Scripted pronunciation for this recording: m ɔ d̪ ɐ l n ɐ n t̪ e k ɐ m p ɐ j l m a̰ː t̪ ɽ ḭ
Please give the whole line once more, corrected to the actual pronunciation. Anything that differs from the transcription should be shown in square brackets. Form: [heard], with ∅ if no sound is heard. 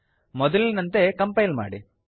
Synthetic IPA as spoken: m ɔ d̪ ɐ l n ɐ n t̪ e k ɐ m p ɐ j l m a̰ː [∅] ɽ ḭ